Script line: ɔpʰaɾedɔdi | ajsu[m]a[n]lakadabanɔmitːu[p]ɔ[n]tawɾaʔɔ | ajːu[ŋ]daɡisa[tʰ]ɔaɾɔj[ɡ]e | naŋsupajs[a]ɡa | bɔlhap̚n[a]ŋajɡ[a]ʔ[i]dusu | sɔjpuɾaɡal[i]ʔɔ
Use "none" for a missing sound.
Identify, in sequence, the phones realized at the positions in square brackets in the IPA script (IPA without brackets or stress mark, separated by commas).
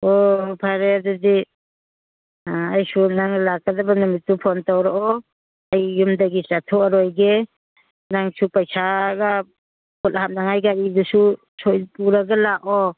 n, ŋ, pʰ, n, m, tʰ, ɡ, a, a, a, i, a